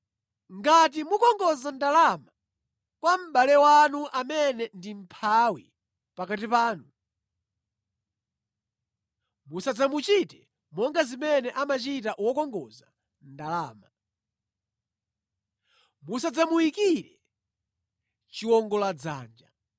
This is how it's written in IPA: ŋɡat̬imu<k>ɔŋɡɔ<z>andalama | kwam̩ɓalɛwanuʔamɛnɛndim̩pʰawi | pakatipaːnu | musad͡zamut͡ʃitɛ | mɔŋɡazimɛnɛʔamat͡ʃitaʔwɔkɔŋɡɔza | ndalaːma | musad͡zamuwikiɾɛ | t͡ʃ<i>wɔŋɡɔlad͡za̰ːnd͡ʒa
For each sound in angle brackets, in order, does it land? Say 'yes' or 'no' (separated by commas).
yes, yes, yes